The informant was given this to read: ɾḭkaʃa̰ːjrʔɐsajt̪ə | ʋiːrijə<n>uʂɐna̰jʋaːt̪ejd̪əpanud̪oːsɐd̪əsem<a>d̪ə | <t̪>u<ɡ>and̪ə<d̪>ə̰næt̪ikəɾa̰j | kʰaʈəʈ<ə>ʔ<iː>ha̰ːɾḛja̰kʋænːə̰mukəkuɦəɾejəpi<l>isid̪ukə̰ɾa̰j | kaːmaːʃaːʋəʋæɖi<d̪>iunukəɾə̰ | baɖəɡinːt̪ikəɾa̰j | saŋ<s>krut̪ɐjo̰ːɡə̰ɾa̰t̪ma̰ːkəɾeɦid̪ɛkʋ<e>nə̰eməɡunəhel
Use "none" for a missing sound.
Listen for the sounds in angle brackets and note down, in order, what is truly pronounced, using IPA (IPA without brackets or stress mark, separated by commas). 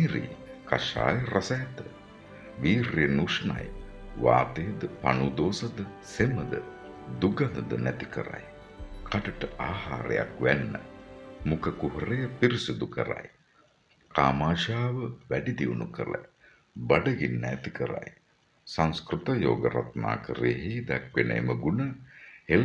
n, ə, d̪, ɡ, d̪, ə, aː, ɾ, d̪, s, e